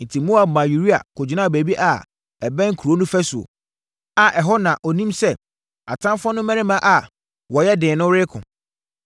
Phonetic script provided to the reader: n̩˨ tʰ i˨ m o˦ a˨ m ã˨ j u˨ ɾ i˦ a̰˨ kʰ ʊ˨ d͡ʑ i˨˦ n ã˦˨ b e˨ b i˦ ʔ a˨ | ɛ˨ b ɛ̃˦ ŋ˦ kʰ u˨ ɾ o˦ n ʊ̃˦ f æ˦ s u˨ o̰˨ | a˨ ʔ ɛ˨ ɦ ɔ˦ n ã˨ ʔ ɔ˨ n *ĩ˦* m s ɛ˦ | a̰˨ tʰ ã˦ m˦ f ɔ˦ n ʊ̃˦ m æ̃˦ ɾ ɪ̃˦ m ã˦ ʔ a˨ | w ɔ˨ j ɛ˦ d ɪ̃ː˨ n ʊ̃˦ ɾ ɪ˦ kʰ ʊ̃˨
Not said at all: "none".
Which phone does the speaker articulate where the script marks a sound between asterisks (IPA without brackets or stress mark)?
ĩ˦